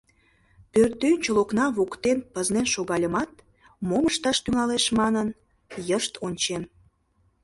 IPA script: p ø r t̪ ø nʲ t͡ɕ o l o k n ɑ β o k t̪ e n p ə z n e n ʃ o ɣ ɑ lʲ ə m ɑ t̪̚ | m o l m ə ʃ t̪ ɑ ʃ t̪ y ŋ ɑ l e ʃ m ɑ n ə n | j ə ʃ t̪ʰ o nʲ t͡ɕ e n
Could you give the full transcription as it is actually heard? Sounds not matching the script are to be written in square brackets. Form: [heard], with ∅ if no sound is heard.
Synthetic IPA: p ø r t̪ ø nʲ t͡ɕ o l o k n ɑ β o k t̪ e n p ə z n e n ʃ o ɣ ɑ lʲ ə m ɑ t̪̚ | m o [∅] m ə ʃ t̪ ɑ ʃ t̪ y ŋ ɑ l e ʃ m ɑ n ə n | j ə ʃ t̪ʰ o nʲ t͡ɕ e n